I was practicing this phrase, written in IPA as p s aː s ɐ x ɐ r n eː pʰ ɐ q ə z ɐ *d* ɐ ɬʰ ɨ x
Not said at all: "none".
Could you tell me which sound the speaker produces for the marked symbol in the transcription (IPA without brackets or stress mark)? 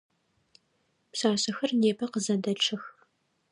d